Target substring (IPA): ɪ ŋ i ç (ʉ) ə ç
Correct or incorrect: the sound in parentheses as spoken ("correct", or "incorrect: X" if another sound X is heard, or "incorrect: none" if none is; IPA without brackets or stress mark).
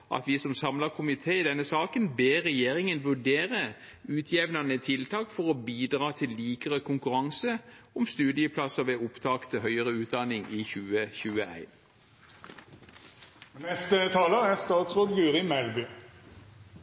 incorrect: ʉː